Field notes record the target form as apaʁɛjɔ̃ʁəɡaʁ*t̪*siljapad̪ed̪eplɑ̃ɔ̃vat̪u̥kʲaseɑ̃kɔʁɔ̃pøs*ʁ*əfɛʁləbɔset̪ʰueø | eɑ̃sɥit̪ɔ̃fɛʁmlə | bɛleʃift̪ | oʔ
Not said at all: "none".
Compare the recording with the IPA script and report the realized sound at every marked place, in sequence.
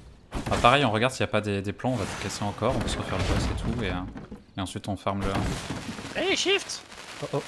d̪, ʁ

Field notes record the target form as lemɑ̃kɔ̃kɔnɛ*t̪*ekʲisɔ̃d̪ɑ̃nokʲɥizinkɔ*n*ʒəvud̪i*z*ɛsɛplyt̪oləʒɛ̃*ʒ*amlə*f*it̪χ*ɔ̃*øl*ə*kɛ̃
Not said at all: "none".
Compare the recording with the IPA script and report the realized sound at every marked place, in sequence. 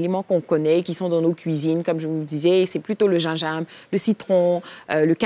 none, m, z, ʒ, s, ɔ̃, ə

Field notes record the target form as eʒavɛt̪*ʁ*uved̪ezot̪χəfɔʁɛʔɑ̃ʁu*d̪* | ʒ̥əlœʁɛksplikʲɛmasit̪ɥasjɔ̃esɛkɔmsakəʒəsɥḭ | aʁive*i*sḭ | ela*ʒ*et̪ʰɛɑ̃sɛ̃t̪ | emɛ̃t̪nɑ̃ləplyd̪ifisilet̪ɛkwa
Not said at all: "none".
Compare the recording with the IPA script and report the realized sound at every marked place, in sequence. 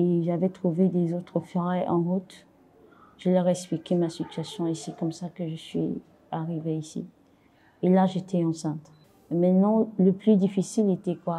χ, t̪, i, ʒ

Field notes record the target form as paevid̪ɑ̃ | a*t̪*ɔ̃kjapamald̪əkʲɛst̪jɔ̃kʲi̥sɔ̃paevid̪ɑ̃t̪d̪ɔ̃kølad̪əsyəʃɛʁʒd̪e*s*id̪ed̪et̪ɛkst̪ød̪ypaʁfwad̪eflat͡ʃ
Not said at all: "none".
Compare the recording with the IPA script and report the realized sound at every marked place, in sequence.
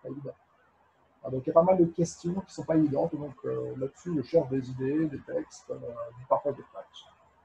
d̪, z

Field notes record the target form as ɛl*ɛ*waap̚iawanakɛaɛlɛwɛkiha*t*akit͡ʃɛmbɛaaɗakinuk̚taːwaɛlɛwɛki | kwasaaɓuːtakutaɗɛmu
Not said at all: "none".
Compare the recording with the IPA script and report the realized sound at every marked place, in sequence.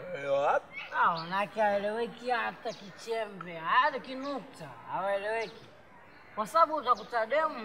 ɛ, t

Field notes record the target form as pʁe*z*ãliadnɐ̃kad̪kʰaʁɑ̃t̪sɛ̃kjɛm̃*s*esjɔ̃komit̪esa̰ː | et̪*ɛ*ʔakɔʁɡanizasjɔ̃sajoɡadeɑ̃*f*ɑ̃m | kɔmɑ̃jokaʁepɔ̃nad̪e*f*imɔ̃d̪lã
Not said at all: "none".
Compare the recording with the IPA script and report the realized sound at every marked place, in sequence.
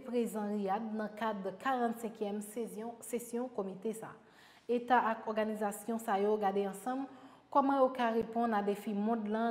z, s, a, s, f

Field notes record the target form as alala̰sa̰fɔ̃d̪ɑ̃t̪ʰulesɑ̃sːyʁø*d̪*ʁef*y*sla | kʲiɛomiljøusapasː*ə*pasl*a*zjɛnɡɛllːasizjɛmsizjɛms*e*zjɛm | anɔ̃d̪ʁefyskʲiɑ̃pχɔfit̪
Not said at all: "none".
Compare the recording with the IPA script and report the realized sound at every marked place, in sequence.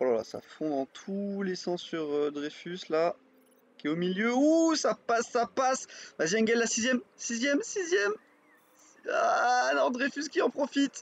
d̪, y, a, a, i

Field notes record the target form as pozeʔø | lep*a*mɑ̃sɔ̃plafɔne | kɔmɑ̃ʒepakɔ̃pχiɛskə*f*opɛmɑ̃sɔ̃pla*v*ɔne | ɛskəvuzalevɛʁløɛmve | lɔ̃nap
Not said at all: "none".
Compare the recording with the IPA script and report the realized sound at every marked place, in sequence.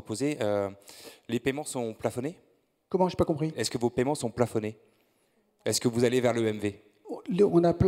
ɛ, v, f

